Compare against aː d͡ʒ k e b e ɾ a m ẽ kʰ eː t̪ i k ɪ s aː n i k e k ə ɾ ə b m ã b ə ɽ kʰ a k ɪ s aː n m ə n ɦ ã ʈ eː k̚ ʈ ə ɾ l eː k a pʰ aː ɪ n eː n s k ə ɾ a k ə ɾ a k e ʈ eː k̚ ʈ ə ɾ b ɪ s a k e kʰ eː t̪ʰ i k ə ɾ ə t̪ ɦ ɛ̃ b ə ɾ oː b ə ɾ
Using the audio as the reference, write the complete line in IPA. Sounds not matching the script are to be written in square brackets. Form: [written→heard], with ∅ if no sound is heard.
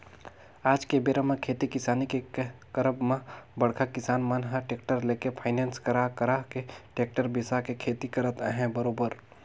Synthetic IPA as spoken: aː d͡ʒ k e b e ɾ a m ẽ kʰ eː t̪ i k ɪ s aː n i k e k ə ɾ ə b m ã b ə ɽ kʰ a k ɪ s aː n m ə n ɦ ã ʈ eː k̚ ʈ ə ɾ l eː k [a→e] pʰ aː ɪ n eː n s k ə ɾ a k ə ɾ a k e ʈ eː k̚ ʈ ə ɾ b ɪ s a k e kʰ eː [t̪ʰ→t̪] i k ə ɾ ə t̪ ɦ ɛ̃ b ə ɾ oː b ə ɾ